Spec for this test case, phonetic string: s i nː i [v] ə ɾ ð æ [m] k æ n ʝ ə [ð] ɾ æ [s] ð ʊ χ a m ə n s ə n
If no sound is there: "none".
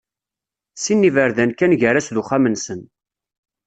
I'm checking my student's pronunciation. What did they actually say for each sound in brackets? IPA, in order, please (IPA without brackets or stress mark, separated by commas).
v, n, none, s